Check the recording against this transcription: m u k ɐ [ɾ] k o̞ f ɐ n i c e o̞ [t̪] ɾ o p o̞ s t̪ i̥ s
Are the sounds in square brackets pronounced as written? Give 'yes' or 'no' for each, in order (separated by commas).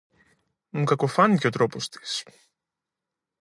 no, yes